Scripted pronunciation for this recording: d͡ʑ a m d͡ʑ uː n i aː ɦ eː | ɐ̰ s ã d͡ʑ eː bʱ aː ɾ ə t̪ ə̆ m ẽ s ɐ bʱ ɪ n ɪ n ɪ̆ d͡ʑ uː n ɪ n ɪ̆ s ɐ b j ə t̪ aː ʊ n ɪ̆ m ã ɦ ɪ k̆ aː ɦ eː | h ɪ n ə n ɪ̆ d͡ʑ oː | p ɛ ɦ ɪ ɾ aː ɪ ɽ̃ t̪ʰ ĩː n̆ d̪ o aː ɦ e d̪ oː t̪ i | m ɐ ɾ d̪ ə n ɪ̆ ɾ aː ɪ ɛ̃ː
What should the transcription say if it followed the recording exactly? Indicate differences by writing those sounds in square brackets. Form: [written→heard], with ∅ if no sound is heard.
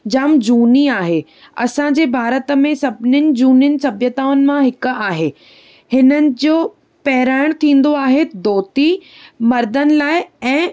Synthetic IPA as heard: d͡ʑ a m d͡ʑ uː n i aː ɦ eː | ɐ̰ s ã d͡ʑ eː bʱ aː ɾ ə t̪ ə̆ m ẽ s ɐ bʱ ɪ n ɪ n ɪ̆ d͡ʑ uː n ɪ n ɪ̆ s ɐ b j ə t̪ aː ʊ n ɪ̆ m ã ɦ ɪ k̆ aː ɦ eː | h ɪ n ə n ɪ̆ d͡ʑ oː | p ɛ ɦ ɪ ɾ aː ɪ ɽ̃ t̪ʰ ĩː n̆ d̪ o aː ɦ e d̪ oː t̪ i | m ɐ ɾ d̪ ə n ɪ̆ [ɾ→l] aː ɪ ɛ̃ː